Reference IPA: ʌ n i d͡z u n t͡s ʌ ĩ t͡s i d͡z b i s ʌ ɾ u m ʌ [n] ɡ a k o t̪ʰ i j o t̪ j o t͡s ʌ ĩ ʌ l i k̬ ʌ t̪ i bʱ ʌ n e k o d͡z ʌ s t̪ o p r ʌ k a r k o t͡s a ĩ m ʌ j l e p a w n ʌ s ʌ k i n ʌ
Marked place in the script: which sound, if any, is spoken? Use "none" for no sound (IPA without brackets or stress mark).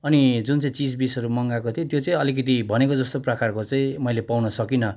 ŋ